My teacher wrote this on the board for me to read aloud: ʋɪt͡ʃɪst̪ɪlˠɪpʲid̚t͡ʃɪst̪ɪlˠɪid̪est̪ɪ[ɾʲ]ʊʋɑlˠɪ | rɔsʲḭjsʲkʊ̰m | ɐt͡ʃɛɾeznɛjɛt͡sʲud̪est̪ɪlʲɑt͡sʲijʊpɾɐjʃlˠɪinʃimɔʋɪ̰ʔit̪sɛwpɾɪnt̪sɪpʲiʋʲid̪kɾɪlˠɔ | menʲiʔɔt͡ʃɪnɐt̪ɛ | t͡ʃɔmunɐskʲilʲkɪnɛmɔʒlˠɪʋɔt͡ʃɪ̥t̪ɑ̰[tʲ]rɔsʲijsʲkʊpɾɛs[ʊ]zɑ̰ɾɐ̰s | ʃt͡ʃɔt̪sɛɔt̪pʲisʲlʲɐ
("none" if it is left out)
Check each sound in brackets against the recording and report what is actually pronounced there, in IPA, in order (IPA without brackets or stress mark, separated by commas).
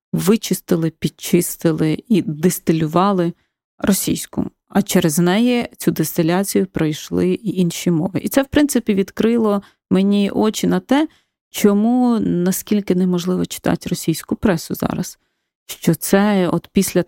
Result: lʲ, tʲ, ʊ